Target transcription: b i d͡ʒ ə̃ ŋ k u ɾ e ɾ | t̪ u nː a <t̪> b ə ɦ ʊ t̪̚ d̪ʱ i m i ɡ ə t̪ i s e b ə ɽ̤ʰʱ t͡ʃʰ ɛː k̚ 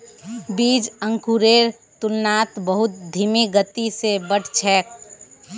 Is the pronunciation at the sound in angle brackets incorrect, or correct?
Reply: correct